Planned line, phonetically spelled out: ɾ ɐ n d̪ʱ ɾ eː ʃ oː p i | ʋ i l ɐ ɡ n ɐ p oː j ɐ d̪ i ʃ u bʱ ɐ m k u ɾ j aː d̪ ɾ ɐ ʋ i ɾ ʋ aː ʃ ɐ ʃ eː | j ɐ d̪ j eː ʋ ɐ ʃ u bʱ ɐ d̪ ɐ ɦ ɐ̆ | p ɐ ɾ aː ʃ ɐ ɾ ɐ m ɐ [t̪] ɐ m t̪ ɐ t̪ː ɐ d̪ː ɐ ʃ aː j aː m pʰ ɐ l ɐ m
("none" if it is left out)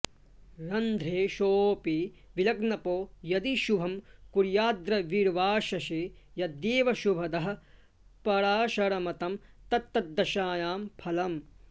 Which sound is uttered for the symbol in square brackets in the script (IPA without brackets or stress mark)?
t̪